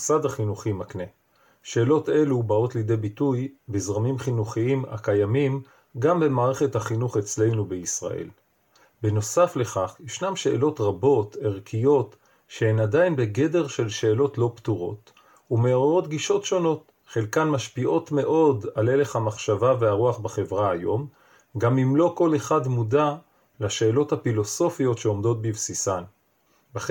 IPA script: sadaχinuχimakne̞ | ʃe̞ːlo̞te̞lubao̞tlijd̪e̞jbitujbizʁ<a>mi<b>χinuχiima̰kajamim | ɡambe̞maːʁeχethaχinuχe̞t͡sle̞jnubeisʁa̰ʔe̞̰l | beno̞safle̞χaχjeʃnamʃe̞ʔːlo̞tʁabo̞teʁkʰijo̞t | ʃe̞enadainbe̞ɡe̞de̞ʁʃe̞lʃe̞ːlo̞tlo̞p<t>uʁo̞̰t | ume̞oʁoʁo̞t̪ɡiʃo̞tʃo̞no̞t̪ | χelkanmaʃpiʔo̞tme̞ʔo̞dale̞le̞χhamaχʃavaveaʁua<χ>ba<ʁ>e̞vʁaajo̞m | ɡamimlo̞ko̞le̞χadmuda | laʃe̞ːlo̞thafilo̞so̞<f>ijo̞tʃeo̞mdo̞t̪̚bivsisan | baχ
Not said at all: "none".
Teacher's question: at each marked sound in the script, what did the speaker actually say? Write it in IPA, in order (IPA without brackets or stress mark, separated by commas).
a, m, t, χ, χ, f